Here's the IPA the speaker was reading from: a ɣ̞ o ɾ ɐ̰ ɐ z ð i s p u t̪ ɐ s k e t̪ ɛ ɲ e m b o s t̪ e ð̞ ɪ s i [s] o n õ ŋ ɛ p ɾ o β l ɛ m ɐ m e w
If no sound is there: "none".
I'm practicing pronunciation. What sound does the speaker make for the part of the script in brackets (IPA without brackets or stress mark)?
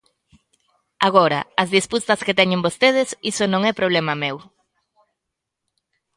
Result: s